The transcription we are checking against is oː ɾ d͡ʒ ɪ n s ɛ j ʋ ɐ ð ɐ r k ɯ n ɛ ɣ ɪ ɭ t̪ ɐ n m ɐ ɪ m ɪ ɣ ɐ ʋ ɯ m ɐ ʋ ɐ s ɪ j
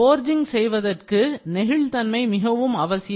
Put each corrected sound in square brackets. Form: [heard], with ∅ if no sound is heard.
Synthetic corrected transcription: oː ɾ d͡ʒ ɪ [ŋ] s ɛ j ʋ ɐ ð ɐ r k ɯ n ɛ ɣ ɪ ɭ t̪ ɐ n m ɐ ɪ m ɪ ɣ ɐ ʋ ɯ m ɐ ʋ ɐ s ɪ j

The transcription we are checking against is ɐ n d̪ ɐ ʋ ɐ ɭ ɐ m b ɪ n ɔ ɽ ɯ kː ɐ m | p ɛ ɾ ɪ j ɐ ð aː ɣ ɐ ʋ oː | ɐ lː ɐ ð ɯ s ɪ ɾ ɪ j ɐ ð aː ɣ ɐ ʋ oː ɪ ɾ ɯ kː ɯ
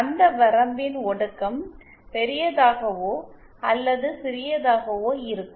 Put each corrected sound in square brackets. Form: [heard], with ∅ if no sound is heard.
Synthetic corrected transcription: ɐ n d̪ ɐ ʋ ɐ [ɾ] ɐ m b ɪ n ɔ ɽ ɯ kː ɐ m | p ɛ ɾ ɪ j ɐ ð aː ɣ ɐ ʋ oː | ɐ lː ɐ ð ɯ s ɪ ɾ ɪ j ɐ ð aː ɣ ɐ ʋ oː ɪ ɾ ɯ kː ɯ

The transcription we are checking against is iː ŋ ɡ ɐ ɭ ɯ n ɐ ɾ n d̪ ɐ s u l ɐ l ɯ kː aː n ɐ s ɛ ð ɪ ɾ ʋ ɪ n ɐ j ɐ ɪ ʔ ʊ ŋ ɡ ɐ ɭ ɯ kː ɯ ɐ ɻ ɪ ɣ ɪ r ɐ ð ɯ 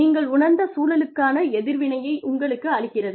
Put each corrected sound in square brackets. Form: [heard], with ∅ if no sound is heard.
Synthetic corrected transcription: iː ŋ ɡ ɐ ɭ [ʊ] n ɐ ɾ n d̪ ɐ s [uː] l ɐ l ɯ kː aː n ɐ [∅] ɛ ð ɪ ɾ ʋ ɪ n ɐ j ɐ ɪ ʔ ʊ ŋ ɡ ɐ ɭ ɯ kː ɯ ɐ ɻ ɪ ɣ ɪ r ɐ ð ɯ

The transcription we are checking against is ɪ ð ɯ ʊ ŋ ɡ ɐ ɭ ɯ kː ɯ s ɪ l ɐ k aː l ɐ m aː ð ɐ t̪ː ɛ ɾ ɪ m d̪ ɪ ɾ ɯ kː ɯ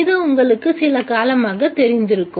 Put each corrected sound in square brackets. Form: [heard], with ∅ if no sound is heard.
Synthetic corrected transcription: ɪ ð ɯ ʊ ŋ ɡ ɐ ɭ ɯ kː ɯ s ɪ l ɐ k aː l ɐ m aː [ɣ] ɐ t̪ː ɛ ɾ ɪ [n] d̪ ɪ ɾ ɯ kː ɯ

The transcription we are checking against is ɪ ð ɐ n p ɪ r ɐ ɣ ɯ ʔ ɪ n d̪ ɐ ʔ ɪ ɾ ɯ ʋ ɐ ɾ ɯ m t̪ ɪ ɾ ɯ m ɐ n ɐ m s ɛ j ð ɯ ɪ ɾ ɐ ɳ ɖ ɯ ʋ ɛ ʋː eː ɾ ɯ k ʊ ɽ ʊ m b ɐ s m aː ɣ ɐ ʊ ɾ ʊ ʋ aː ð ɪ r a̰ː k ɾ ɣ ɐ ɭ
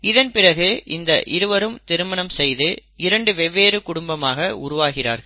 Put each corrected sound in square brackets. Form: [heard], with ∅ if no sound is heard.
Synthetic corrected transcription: ɪ ð ɐ n p ɪ r ɐ ɣ ɯ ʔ ɪ n d̪ ɐ ʔ ɪ ɾ ɯ ʋ ɐ ɾ ɯ m t̪ ɪ ɾ ɯ m ɐ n ɐ m s ɛ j ð ɯ ɪ ɾ ɐ ɳ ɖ ɯ ʋ ɛ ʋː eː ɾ ɯ k ʊ ɽ ʊ m b ɐ [∅] m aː ɣ ɐ ʊ ɾ ʊ ʋ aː [ɣ] ɪ r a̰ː [∅] ɾ ɣ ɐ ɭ

